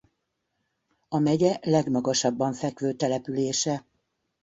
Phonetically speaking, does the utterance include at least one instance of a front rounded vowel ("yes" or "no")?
yes